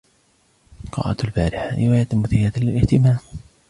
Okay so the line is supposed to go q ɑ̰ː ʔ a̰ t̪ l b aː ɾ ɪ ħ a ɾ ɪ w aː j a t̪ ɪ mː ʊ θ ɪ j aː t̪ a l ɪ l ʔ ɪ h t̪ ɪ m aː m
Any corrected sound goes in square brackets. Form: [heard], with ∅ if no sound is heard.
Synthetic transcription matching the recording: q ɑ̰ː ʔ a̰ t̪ l b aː ɾ ɪ ħ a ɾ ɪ w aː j a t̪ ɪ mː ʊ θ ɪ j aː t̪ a l ɪ l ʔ ɪ h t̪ ɪ m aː m